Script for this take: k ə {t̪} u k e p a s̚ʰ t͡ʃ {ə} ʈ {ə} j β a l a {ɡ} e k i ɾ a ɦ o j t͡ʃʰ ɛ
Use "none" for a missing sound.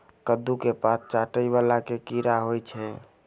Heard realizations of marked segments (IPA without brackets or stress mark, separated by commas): d̪, a, ə, k